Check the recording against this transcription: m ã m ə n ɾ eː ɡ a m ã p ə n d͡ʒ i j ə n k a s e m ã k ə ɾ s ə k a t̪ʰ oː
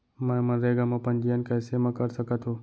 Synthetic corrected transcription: m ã m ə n ɾ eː ɡ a m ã p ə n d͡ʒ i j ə n k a s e m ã k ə ɾ s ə k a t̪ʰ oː